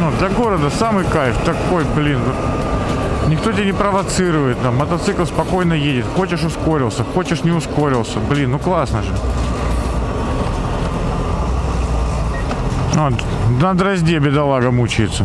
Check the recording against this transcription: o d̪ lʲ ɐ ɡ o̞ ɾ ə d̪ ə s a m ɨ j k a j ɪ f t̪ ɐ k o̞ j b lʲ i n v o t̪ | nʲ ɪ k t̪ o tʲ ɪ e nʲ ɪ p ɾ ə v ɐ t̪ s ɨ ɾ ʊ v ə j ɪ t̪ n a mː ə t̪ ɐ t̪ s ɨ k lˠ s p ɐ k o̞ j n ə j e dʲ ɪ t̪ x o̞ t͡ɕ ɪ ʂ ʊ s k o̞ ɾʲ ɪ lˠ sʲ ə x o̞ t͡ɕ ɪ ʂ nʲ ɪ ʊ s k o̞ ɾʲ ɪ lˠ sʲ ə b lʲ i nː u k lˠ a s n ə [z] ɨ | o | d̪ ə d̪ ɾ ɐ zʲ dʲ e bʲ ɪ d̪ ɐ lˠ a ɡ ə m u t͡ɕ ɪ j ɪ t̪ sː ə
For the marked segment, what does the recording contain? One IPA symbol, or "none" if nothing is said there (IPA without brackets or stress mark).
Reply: ʐ